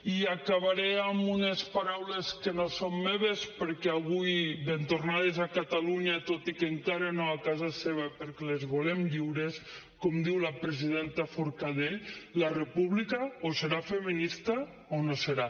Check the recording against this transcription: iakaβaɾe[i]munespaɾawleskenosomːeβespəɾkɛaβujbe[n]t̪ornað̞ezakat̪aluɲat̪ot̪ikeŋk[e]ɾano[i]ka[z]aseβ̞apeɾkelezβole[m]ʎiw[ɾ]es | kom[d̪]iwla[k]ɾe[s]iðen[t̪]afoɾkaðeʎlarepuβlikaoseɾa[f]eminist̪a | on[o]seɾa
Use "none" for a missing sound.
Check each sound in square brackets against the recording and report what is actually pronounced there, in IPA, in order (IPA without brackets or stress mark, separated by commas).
a, n, a, a, z, m, ɾ, d̪, p, z, t̪, f, o